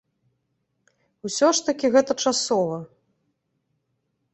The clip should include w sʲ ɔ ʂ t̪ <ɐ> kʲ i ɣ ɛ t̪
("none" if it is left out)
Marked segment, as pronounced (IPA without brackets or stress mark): ɐ